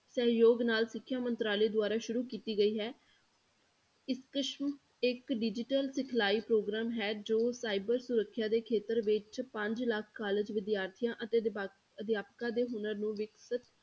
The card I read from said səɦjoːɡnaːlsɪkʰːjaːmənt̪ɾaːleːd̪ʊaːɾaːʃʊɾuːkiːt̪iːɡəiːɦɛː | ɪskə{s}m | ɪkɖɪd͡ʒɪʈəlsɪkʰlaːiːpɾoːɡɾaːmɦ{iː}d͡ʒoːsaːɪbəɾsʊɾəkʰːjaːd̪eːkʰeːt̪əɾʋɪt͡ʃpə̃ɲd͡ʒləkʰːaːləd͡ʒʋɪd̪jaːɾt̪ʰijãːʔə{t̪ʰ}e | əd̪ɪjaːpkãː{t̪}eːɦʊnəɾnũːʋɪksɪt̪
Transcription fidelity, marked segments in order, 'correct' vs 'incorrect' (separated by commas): incorrect, incorrect, incorrect, incorrect